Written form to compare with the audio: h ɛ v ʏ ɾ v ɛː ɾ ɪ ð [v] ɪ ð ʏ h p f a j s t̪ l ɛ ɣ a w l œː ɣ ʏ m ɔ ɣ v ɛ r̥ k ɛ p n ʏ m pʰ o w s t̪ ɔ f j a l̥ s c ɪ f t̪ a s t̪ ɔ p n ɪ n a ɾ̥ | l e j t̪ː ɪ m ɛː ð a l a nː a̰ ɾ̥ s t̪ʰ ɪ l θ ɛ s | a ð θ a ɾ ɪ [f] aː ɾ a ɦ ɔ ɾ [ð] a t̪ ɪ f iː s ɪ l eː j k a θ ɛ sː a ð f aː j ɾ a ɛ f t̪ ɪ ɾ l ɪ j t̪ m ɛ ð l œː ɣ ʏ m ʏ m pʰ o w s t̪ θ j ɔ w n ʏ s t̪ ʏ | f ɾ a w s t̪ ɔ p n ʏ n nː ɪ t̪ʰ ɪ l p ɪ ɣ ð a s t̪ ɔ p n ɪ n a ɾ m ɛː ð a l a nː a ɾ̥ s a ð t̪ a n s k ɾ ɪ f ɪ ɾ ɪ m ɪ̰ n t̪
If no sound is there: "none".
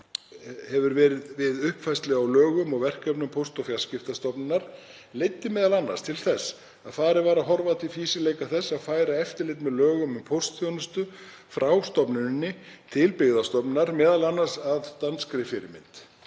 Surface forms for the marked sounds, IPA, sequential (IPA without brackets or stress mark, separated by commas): v, v, v